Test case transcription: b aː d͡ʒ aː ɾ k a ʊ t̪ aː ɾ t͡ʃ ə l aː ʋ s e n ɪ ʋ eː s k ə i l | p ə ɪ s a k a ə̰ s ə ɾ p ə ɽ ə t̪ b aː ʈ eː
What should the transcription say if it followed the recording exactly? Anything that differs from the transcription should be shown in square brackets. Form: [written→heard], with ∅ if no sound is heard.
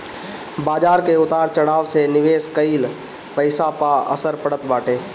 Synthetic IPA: b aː d͡ʒ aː ɾ k [a→e] ʊ t̪ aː ɾ t͡ʃ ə [l→ɽ] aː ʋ s e n ɪ ʋ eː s k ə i l | p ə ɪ s a [k→p] a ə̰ s ə ɾ p ə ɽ ə t̪ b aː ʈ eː